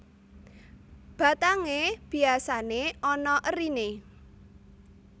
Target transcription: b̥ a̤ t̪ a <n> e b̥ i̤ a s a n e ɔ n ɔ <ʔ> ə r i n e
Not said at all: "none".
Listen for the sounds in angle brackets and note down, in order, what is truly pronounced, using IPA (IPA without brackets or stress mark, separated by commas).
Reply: ŋ, ʔ